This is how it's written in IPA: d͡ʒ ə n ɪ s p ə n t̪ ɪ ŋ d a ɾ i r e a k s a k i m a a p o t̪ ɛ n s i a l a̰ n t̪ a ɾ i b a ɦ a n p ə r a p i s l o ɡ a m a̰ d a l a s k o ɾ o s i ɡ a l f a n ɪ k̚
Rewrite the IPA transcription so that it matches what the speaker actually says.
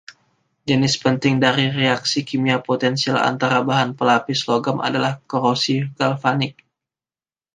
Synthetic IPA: d͡ʒ ə n ɪ s p ə n t̪ ɪ ŋ d a ɾ i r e a k s i k i m i a p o t̪ ɛ n s i a l a̰ n t̪ a ɾ a b a ɦ a n p ə l a p i s l o ɡ a m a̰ d a l a h k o ɾ o s i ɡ a l f a n ɪ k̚